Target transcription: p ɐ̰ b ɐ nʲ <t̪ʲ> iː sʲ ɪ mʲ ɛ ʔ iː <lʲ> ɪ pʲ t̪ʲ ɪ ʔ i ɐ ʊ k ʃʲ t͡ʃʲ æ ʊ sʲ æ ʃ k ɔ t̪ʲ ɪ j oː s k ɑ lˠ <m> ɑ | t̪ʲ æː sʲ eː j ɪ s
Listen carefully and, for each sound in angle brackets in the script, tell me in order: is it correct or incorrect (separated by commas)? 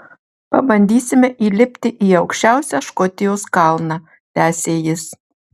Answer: incorrect, correct, incorrect